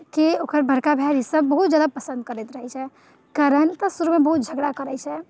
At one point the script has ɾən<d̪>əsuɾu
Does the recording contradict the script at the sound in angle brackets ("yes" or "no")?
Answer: yes